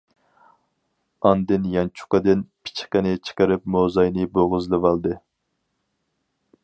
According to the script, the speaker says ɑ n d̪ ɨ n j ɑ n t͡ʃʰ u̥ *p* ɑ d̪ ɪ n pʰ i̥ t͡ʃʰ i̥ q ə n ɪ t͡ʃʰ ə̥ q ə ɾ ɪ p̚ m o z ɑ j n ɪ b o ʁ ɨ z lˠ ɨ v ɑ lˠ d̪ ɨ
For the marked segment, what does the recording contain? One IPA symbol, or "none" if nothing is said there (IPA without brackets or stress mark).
q